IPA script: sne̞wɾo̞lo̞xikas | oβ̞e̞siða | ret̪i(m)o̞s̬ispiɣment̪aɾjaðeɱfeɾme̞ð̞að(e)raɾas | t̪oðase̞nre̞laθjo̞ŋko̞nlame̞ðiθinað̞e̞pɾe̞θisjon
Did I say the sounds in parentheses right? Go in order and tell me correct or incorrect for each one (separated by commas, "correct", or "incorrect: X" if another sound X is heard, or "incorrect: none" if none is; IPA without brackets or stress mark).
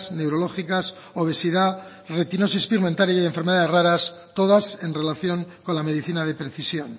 incorrect: n, correct